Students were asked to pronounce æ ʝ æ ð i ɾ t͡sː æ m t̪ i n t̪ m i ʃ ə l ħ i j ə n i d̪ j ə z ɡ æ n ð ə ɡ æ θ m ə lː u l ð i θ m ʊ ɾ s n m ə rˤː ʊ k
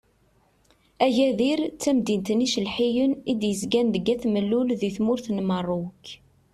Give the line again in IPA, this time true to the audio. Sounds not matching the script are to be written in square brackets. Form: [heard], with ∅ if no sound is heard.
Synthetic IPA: æ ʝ æ ð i ɾ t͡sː æ m [d̪] i n t̪ [n] i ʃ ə l ħ i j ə n i d̪ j ə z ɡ æ n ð ə ɡ æ θ m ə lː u l ð i θ m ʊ ɾ [θ] n m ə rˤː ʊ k